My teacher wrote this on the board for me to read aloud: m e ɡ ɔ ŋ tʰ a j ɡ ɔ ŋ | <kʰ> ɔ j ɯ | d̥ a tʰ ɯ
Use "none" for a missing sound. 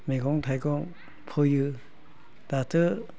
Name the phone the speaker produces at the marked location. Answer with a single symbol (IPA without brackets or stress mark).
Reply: pʰ